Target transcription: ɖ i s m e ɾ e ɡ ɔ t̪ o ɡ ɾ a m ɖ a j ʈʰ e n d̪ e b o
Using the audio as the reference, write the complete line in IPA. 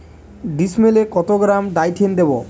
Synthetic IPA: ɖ i s m e l e k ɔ t̪ o ɡ ɾ a m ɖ a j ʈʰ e n d̪ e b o